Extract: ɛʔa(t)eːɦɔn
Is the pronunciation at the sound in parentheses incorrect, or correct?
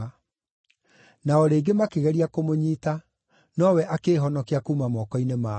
incorrect